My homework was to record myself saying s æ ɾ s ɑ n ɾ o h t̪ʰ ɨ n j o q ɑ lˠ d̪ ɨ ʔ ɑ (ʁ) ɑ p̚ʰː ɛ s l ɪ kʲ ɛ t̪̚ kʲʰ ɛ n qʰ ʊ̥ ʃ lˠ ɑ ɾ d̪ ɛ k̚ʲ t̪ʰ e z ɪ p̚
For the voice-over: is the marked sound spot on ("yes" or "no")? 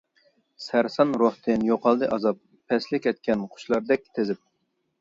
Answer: no